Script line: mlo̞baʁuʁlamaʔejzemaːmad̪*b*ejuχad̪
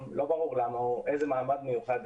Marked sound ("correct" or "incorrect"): incorrect